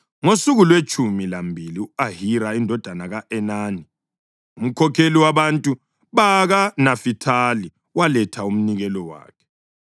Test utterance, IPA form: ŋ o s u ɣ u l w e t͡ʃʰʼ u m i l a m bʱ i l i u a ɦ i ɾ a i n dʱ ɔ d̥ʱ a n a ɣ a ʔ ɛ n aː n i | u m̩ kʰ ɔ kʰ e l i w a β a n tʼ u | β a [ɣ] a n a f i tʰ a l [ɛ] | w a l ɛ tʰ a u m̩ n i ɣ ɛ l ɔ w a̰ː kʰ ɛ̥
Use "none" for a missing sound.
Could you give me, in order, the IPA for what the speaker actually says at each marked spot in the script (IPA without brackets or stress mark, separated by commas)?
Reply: ɣ, i